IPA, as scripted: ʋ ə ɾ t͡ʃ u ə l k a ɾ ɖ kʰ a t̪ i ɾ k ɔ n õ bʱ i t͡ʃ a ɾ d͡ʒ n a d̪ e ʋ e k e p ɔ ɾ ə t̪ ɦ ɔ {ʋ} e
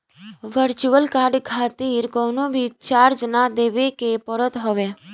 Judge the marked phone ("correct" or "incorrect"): correct